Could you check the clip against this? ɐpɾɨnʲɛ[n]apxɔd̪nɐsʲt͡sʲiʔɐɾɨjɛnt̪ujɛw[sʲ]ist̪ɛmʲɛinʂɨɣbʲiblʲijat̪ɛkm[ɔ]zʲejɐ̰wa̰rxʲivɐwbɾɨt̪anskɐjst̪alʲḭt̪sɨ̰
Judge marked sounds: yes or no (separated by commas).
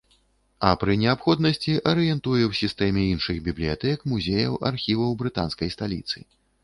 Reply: no, yes, no